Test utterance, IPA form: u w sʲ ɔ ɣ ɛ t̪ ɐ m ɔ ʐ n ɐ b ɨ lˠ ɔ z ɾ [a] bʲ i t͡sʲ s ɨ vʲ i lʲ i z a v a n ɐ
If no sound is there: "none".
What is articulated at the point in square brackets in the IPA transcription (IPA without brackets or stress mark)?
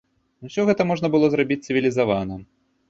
a